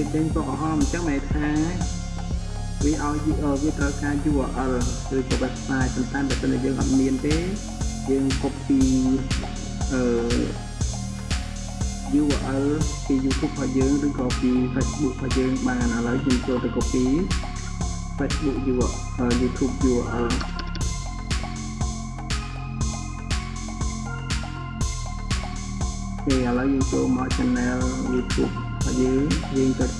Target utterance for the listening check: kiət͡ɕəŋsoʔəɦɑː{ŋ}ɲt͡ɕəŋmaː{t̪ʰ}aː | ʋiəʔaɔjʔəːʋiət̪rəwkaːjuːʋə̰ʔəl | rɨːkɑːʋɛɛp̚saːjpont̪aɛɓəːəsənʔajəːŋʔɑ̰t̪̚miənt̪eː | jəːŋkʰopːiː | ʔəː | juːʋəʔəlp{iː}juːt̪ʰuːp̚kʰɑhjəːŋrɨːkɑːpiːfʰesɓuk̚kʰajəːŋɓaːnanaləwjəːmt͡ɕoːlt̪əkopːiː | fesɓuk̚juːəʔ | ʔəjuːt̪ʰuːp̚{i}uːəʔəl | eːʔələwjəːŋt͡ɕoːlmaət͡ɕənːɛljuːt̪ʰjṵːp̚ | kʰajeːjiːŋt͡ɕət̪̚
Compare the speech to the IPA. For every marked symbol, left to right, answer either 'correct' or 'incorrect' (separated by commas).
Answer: incorrect, correct, correct, incorrect